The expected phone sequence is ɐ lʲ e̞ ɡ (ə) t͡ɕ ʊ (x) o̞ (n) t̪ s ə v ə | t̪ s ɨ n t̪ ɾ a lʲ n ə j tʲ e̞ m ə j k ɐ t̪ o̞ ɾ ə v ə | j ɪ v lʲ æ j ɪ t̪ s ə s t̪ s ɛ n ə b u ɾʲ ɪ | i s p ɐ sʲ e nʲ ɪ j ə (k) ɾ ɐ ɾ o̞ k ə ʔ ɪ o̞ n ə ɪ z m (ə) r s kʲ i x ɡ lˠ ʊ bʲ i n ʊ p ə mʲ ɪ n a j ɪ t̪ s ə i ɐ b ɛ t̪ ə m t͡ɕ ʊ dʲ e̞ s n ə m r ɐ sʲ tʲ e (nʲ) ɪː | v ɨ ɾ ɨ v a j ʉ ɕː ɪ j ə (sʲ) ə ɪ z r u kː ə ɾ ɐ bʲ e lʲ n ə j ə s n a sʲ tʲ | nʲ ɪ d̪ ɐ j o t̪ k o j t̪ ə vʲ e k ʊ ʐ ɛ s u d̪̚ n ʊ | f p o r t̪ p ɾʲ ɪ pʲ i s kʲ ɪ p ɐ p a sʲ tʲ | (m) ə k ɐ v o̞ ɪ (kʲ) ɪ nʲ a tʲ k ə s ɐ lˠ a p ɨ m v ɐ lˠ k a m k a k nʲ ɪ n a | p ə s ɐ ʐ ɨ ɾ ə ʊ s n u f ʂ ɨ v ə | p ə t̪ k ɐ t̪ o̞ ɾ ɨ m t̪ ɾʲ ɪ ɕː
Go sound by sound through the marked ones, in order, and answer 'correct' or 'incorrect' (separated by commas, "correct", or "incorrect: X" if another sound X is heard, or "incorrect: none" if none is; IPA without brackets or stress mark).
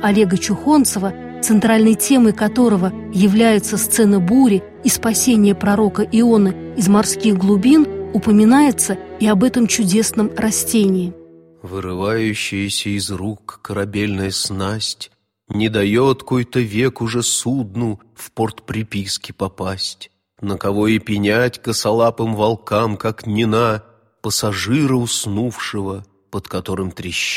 correct, correct, correct, incorrect: p, incorrect: ɐ, correct, correct, incorrect: n, incorrect: pʲ